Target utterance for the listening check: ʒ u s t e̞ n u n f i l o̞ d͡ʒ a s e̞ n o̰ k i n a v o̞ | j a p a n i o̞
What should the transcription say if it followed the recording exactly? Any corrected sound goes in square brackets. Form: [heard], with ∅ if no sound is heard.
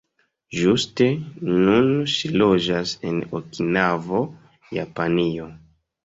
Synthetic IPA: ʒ u s t e̞ n u n [ʃ] i l o̞ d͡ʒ a s e̞ n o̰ k i n a v o̞ | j a p a n i o̞